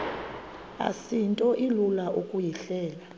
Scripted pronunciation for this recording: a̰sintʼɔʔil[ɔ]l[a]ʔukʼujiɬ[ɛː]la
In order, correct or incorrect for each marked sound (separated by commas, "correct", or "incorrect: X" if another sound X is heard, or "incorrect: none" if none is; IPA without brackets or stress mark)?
incorrect: u, correct, correct